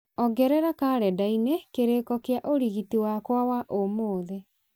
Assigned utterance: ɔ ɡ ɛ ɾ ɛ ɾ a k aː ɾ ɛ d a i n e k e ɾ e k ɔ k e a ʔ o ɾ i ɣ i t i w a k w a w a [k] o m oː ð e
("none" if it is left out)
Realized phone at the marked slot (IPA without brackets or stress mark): ʔ